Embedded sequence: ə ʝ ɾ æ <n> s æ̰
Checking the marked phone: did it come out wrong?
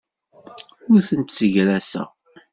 yes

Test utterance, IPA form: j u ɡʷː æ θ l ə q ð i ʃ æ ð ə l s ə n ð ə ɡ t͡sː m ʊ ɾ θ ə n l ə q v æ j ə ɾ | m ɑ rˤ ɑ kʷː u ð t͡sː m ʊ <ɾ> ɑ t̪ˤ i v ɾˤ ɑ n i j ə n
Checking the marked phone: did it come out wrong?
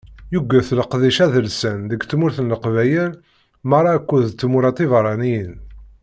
no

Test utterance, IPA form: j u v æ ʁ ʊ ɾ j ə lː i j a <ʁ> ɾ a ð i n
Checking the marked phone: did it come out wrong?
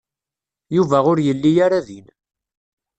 yes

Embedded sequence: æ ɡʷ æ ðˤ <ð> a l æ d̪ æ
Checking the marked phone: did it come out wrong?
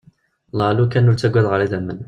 yes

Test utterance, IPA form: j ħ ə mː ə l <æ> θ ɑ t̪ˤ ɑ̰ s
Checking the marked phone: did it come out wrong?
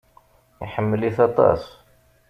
yes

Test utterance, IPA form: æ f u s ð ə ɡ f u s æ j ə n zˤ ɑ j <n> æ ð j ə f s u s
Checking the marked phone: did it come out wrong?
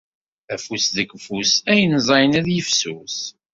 no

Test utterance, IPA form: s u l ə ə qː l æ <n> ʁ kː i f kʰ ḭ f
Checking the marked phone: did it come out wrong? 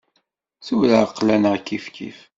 no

